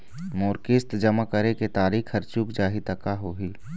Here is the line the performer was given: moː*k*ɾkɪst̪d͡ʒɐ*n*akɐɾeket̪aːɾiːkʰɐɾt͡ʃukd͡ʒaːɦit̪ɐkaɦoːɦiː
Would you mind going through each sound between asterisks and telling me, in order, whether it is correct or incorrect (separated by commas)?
incorrect, incorrect